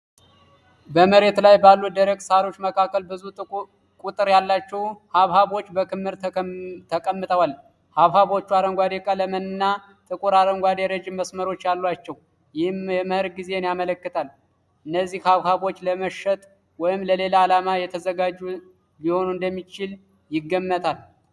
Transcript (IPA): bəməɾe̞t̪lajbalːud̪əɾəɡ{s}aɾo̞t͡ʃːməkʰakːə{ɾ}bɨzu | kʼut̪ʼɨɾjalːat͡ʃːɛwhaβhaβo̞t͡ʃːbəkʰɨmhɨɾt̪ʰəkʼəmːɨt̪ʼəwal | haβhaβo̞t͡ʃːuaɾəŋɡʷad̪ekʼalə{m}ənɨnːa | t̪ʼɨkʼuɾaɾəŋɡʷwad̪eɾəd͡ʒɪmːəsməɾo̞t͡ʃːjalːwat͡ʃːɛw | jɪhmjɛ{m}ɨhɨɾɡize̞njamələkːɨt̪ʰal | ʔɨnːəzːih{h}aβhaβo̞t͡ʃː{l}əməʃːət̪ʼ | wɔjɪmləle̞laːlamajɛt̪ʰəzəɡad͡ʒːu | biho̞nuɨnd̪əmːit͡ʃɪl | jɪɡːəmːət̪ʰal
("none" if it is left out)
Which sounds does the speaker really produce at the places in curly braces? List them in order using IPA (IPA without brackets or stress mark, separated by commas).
s, l, m, m, h, l